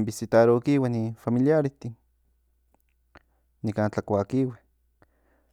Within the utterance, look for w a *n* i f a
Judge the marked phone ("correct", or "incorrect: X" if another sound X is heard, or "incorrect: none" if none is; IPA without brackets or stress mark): correct